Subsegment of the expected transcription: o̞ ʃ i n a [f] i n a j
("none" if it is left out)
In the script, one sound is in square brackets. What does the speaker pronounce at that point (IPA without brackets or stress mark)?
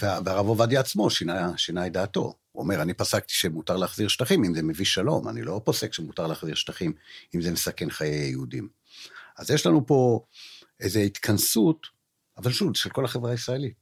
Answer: ʃ